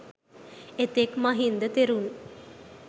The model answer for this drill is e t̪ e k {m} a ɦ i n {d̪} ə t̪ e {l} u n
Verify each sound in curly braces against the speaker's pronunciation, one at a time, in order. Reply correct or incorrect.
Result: correct, correct, incorrect: ɾ

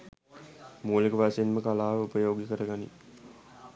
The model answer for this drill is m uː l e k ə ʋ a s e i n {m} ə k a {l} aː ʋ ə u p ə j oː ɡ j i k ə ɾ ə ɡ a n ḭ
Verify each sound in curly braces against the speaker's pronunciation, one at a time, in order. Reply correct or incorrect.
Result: correct, correct

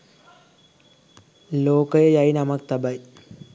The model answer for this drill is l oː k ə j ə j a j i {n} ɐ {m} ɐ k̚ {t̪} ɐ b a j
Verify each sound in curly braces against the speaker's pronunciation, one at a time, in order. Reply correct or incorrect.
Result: correct, correct, correct

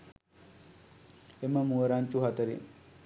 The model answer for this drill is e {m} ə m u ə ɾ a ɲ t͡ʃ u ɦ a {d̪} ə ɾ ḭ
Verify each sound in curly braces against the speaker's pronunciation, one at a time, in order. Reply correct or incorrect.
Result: correct, incorrect: t̪

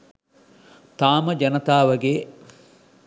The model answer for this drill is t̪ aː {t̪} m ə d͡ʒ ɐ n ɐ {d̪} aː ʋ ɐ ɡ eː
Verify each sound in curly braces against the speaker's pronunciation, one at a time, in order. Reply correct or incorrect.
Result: incorrect: none, incorrect: t̪

